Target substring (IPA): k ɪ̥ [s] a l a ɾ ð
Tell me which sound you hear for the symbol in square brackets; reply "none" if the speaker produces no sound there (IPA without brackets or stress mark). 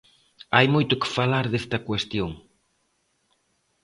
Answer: f